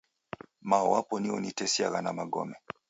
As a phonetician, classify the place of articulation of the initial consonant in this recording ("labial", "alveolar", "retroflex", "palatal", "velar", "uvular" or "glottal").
labial